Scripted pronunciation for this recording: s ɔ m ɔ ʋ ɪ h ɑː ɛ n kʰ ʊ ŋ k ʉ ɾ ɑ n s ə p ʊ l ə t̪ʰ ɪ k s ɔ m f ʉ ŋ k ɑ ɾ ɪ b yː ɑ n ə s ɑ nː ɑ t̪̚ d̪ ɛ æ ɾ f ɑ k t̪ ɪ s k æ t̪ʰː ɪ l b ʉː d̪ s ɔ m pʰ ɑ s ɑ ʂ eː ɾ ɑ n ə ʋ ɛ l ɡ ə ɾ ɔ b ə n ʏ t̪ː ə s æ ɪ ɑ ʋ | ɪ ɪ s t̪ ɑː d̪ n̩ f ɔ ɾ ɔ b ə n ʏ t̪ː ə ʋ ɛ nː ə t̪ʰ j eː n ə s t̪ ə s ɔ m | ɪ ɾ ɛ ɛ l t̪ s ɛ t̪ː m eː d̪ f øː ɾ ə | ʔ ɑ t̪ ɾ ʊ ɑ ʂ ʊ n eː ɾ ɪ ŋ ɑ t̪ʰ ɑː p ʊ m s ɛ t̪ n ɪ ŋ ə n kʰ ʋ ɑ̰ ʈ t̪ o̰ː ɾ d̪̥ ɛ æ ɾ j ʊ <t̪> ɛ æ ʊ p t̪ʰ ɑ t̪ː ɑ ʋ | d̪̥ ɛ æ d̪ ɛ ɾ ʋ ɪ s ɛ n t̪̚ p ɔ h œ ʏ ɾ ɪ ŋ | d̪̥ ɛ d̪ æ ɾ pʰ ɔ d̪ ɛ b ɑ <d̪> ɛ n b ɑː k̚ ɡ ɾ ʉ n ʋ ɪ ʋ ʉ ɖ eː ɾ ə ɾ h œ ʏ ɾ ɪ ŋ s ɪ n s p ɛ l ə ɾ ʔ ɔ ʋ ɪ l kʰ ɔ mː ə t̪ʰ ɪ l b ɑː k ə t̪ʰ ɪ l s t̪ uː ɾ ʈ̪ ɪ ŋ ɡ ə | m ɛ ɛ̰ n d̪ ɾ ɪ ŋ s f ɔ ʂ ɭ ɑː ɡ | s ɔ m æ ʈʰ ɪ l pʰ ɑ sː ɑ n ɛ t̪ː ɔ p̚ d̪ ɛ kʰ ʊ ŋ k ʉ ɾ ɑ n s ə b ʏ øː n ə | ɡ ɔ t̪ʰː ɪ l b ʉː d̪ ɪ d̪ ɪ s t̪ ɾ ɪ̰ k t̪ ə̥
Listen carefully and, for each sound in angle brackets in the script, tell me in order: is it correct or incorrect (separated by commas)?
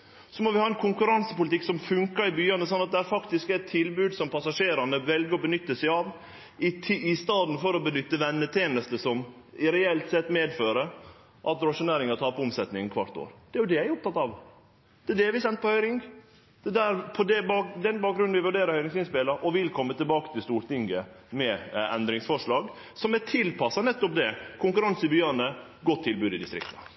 incorrect, correct